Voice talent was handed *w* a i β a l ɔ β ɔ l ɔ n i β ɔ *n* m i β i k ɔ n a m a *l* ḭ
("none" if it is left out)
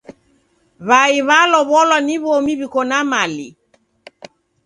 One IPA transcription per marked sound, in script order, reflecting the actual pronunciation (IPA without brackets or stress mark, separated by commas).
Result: β, none, l